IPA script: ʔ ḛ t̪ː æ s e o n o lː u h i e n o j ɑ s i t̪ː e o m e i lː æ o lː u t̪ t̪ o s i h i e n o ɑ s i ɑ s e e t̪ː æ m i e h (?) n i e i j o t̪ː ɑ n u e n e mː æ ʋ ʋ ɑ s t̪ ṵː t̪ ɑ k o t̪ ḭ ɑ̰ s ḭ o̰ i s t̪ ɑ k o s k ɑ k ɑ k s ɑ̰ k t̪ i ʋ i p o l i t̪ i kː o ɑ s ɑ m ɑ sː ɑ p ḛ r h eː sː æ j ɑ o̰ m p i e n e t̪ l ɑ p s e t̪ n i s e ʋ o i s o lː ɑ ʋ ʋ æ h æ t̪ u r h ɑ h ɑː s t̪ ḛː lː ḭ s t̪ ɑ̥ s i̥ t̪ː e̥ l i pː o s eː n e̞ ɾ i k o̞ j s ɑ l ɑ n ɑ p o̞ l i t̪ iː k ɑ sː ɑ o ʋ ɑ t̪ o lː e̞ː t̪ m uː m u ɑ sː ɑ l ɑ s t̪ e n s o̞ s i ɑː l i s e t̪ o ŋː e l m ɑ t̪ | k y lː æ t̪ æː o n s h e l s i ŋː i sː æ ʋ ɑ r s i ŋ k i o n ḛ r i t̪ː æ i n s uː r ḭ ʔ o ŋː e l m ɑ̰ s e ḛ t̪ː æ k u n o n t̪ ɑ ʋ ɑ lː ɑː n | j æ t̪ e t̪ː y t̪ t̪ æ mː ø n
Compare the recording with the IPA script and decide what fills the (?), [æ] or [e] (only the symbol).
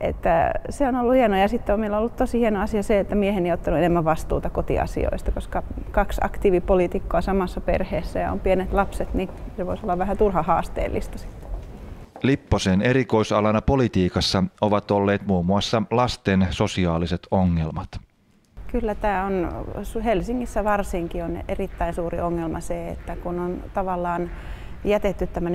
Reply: e